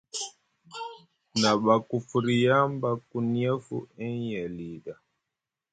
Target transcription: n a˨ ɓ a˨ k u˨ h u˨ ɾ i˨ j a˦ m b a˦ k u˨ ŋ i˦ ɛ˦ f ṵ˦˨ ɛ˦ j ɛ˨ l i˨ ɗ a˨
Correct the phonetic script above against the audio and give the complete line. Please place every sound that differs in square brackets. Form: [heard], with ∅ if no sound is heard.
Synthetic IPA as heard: n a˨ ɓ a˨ k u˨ [f] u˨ ɾ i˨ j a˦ m b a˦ k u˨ [n] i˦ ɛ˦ f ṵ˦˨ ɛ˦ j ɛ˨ l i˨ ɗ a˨